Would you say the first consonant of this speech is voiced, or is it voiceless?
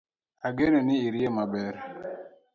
voiced